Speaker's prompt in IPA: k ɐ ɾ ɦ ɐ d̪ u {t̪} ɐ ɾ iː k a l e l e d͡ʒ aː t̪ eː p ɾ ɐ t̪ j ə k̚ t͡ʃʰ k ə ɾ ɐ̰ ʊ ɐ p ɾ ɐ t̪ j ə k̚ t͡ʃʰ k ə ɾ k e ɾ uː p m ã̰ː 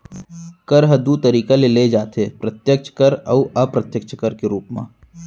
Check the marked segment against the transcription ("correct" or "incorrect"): correct